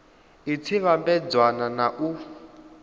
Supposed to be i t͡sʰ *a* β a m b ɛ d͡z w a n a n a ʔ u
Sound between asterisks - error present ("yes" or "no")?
yes